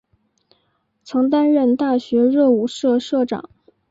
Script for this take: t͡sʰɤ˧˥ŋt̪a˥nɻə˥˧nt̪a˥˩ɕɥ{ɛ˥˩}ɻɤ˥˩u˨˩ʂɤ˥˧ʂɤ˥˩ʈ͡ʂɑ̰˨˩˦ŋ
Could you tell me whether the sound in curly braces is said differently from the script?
yes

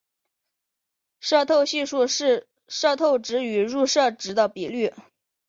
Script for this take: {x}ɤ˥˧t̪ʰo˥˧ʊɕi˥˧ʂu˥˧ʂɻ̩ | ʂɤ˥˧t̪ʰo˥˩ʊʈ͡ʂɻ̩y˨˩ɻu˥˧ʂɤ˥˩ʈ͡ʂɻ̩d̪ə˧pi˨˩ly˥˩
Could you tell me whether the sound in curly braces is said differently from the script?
yes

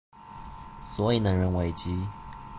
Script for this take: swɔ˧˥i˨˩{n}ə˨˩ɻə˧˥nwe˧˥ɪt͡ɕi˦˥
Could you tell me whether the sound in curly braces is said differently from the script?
no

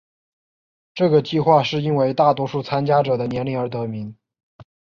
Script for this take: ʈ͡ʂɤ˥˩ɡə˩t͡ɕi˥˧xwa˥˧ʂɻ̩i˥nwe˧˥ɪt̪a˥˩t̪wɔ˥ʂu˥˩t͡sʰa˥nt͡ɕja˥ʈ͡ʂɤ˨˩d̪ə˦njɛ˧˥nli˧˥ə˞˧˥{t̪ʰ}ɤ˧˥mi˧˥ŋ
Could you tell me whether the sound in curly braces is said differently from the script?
yes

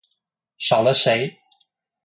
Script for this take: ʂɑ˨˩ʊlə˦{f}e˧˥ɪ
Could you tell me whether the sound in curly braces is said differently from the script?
yes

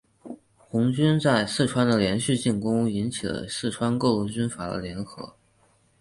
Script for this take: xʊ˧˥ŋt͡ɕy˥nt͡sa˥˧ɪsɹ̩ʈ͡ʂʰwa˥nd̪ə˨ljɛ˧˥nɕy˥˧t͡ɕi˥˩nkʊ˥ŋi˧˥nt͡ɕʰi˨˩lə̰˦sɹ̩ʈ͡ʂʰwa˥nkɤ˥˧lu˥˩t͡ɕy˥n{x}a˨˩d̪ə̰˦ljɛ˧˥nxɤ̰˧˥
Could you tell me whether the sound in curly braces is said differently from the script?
yes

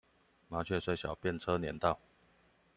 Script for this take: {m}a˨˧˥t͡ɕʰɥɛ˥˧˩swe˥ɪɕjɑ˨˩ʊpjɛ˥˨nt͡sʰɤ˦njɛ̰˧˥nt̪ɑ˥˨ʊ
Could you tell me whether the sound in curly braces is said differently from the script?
no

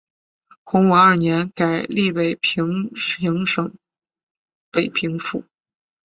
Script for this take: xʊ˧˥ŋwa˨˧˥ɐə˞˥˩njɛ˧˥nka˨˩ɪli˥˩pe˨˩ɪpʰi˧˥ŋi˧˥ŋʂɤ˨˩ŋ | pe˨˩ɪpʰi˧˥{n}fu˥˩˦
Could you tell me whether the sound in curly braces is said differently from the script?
yes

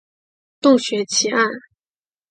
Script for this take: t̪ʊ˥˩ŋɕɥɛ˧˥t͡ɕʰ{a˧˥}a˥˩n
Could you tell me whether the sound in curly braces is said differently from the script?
yes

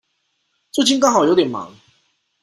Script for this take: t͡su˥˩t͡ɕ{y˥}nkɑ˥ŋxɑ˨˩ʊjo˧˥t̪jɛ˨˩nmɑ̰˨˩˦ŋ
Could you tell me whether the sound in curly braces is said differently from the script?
yes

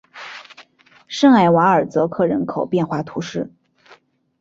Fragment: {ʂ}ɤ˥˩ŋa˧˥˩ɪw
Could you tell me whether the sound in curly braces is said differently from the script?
no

